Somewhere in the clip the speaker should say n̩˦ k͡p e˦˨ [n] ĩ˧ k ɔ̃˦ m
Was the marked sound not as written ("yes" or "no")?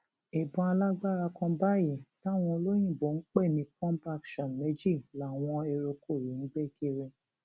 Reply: no